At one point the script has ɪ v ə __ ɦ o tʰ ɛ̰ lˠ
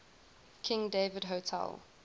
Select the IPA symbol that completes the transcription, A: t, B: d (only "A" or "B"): B